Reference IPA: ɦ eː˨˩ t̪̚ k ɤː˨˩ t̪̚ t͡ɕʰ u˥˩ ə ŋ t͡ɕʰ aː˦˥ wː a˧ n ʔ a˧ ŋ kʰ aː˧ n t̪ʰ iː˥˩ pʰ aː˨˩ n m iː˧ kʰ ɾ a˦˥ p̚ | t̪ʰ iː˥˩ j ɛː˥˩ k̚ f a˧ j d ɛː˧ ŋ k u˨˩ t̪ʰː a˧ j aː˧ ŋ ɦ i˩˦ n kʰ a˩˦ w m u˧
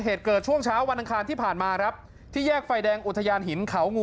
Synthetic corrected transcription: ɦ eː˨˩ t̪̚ k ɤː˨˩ t̪̚ t͡ɕʰ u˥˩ ə ŋ t͡ɕʰ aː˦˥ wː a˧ n ʔ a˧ ŋ kʰ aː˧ n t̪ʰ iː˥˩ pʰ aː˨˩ n m aː˧ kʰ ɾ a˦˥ p̚ | t̪ʰ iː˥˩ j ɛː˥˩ k̚ f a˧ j d ɛː˧ ŋ ʔ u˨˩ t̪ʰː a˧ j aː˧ n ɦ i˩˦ n kʰ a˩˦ w ŋ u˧

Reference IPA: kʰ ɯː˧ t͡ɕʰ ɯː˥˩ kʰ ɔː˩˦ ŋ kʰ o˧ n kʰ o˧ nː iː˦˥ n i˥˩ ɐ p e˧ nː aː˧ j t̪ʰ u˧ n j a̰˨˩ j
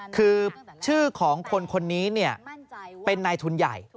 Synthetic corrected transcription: kʰ ɯː˧ t͡ɕʰ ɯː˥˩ kʰ ɔː˩˦ ŋ kʰ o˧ n kʰ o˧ nː iː˦˥ n i˥˩ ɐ p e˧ nː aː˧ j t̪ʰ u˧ n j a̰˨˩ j

